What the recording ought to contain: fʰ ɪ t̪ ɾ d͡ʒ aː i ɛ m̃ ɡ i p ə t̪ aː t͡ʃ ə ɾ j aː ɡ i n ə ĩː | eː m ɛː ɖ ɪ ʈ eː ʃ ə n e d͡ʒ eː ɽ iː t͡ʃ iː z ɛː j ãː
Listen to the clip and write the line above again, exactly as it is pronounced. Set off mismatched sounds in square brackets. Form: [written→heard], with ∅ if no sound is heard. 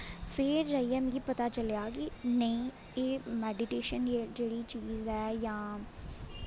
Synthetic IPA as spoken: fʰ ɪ [t̪→∅] ɾ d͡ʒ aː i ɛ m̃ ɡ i p ə t̪ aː t͡ʃ ə [ɾ→l] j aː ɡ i n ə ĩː | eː m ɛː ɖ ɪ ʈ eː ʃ ə n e d͡ʒ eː ɽ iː t͡ʃ iː z ɛː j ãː